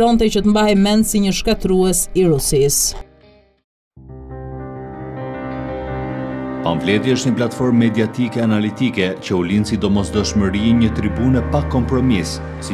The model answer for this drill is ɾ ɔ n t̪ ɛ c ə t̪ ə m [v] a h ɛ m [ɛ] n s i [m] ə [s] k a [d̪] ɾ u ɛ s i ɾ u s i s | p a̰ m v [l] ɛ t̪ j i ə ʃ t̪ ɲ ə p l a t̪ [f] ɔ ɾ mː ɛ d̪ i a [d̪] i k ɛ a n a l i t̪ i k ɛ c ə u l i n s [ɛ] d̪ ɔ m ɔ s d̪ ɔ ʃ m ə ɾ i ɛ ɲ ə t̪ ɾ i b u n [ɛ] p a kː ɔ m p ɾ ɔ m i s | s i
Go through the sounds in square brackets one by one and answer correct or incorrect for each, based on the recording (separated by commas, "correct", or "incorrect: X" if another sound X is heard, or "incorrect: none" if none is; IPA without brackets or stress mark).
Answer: incorrect: b, correct, incorrect: ɲ, incorrect: ʃ, incorrect: t̪, correct, correct, incorrect: t̪, incorrect: i, correct